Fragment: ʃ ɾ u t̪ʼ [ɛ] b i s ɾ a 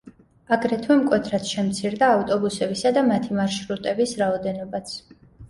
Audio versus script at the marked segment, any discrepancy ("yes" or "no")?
no